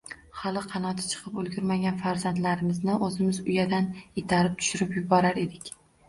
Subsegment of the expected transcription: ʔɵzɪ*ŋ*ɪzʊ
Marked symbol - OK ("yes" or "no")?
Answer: no